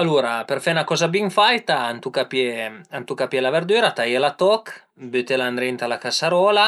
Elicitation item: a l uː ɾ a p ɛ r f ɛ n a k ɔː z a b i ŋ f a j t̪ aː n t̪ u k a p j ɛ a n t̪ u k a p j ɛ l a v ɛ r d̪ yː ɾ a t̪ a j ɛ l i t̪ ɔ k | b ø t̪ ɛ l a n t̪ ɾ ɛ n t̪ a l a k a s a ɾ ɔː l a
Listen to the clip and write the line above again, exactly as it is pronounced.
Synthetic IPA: a l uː ɾ a p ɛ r f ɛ n a k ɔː z a b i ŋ f a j t̪ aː n t̪ u k a p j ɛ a n t̪ u k a p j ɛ l a v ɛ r d̪ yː ɾ a t̪ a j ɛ l a t̪ ɔ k | b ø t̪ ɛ l a n d̪ ɾ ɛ n t̪ a l a k a s a ɾ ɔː l a